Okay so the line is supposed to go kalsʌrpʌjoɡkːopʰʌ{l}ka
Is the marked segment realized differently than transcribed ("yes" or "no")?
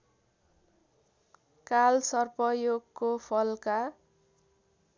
no